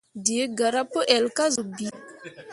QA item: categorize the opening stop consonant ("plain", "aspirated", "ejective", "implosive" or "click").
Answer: plain